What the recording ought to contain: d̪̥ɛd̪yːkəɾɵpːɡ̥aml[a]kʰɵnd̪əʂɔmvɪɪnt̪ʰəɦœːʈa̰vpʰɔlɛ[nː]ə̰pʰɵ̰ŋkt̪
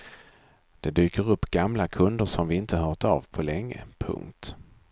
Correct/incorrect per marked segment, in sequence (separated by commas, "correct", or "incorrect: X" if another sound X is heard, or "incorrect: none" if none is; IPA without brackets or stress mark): correct, incorrect: ŋː